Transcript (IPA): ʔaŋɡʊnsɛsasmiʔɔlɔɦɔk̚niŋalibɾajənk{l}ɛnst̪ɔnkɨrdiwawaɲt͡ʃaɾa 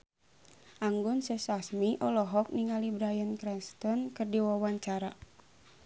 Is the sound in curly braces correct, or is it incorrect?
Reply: incorrect: ɾ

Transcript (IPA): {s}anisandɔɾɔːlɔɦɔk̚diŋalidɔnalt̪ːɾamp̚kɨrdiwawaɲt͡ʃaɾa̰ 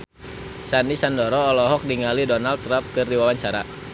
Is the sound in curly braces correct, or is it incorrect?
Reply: correct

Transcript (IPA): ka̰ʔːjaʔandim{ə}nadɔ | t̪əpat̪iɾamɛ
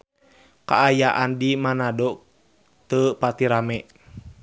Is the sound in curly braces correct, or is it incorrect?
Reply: incorrect: a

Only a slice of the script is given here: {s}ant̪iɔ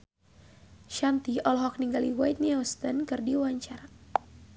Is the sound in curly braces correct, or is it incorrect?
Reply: incorrect: ʃ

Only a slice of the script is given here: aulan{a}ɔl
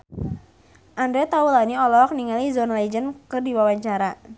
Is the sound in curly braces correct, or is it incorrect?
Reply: incorrect: i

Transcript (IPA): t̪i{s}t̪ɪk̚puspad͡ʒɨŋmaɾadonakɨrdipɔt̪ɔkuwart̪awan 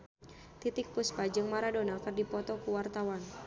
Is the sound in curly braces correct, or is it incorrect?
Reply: incorrect: none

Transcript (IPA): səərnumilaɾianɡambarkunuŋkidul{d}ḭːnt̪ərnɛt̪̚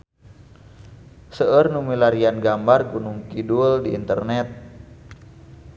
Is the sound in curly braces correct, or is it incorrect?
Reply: correct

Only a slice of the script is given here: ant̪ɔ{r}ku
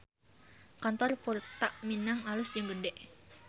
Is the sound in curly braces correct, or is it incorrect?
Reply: correct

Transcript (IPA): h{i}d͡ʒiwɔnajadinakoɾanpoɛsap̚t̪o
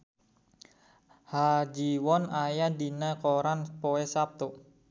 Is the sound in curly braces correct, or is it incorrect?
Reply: incorrect: a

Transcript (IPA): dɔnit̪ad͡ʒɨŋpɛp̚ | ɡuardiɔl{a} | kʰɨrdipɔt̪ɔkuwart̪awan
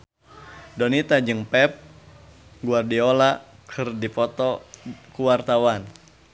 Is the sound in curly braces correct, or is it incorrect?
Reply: correct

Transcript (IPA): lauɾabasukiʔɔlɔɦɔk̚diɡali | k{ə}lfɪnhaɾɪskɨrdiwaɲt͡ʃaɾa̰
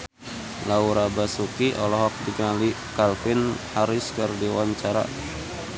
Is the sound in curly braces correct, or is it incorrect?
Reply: incorrect: a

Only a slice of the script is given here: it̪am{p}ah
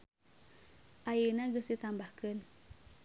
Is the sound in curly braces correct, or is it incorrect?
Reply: incorrect: b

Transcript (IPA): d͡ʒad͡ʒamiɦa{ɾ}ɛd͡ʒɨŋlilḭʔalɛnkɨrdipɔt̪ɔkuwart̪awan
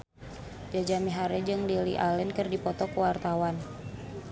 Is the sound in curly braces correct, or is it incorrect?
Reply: correct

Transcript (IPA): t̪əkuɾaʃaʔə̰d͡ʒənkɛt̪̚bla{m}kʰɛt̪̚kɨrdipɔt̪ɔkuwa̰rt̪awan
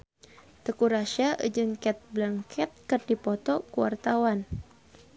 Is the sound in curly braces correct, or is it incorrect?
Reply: incorrect: ŋ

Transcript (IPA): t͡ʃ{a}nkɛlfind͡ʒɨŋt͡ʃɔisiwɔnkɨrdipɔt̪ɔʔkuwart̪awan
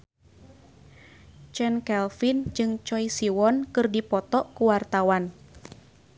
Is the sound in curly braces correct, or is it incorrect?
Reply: incorrect: ɛ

